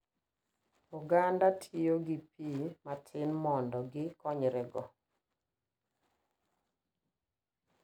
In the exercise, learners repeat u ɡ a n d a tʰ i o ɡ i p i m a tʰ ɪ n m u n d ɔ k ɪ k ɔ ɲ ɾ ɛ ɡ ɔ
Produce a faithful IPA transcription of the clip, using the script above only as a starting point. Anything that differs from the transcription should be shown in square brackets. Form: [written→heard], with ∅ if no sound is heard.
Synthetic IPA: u ɡ a n d a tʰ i o ɡ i p i m a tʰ ɪ n m [u→ɔ] n d ɔ [k→ɡ] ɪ k ɔ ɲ ɾ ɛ ɡ ɔ